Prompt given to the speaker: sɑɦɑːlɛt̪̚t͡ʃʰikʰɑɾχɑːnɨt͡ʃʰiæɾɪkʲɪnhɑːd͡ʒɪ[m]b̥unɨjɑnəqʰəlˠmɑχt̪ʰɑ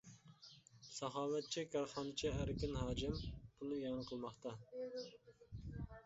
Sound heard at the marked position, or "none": m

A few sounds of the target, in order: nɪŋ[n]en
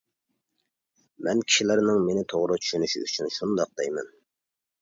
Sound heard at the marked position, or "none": m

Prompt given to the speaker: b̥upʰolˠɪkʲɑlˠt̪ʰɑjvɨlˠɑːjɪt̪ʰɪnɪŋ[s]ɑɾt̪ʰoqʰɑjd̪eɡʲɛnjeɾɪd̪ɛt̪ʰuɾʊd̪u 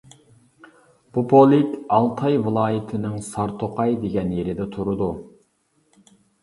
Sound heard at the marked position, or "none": s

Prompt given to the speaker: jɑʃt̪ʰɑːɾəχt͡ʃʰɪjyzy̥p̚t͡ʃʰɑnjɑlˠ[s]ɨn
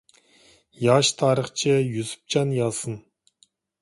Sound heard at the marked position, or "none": s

